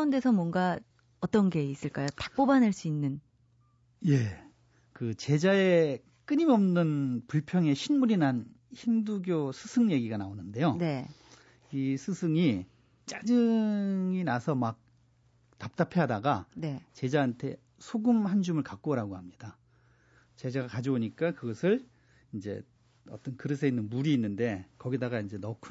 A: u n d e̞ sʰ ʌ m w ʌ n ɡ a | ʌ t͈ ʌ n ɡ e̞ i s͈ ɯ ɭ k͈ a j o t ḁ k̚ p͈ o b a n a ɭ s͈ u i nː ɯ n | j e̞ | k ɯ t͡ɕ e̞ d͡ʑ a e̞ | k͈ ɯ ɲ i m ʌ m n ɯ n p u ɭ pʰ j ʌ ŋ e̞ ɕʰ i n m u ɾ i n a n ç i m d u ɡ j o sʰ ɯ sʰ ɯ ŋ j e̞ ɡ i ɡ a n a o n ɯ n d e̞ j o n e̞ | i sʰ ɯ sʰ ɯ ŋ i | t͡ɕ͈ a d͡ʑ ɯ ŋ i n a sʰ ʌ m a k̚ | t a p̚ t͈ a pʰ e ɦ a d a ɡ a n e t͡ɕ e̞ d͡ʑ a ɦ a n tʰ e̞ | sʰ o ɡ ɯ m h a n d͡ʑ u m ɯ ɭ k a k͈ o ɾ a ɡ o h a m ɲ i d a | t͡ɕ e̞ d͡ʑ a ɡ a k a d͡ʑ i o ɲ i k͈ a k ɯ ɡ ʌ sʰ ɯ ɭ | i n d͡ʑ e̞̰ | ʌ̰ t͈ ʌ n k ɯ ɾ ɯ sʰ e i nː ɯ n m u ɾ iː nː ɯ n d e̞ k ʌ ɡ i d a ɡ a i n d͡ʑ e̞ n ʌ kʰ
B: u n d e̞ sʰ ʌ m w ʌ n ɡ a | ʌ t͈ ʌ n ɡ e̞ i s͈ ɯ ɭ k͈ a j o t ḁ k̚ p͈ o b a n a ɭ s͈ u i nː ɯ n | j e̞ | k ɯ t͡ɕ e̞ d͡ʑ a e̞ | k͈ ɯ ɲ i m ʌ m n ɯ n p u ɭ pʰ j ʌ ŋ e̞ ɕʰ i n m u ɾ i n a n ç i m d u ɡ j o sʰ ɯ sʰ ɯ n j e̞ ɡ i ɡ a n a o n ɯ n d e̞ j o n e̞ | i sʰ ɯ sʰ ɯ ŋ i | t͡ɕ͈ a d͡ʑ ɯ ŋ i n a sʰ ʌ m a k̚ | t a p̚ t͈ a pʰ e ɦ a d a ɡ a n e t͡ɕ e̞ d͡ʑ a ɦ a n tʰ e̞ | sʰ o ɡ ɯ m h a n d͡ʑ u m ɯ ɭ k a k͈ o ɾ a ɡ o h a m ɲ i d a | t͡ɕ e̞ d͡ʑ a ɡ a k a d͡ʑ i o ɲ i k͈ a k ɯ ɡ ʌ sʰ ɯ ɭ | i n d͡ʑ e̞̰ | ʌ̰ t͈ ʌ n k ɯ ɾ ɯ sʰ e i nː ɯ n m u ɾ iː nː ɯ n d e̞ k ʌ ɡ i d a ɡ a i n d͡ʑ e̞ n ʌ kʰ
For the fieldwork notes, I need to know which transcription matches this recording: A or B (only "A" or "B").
A